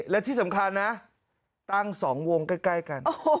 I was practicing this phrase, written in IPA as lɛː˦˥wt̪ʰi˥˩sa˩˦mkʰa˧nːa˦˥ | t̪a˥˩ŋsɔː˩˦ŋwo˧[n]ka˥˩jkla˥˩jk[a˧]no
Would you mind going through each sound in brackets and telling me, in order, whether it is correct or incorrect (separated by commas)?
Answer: incorrect, correct